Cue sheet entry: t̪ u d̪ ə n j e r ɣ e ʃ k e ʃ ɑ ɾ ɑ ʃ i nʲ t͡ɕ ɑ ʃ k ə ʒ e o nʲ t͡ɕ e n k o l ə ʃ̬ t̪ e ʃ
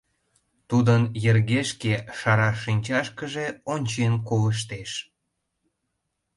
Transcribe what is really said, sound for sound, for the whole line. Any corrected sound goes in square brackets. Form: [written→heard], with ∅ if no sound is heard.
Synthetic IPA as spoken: t̪ u d̪ ə n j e r ɣ e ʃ k e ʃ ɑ ɾ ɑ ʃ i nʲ t͡ɕ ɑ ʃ k ə ʒ e o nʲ t͡ɕ e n k o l ə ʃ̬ t̪ e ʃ